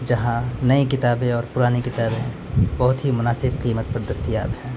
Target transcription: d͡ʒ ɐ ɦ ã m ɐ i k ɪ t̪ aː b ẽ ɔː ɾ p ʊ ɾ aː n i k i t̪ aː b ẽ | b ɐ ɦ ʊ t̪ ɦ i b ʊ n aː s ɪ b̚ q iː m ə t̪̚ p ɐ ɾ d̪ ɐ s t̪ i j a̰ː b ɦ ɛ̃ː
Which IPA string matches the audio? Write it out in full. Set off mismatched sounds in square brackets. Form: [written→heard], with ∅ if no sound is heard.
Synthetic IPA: d͡ʒ ɐ ɦ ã [m→n] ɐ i k ɪ t̪ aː b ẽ ɔː ɾ p ʊ ɾ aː n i k [i→ɪ] t̪ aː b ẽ | b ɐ ɦ ʊ t̪ ɦ i [b→m] ʊ n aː s ɪ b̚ q iː m ə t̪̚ p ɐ ɾ d̪ ɐ s t̪ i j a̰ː b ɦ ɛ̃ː